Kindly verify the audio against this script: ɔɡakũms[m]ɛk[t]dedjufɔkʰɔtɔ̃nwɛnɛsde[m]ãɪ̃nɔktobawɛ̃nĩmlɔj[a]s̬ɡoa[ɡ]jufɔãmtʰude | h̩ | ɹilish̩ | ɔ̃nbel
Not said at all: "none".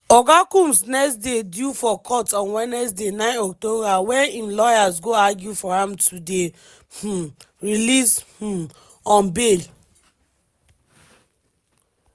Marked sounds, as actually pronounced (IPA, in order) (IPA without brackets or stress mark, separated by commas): n, s, n, a, ɡ